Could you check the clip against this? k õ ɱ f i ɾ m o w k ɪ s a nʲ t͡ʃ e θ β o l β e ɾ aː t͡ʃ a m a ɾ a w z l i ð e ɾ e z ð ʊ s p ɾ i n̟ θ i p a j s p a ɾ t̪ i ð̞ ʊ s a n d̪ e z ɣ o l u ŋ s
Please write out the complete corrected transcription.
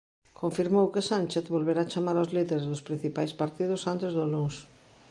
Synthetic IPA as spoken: k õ ɱ f i ɾ m o w k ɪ s a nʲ t͡ʃ e θ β o l β e ɾ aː t͡ʃ a m a ɾ a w z l i ð e ɾ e z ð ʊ s p ɾ i n̟ θ i p a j s p a ɾ t̪ i ð̞ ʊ s a n t̪ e z ð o l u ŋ s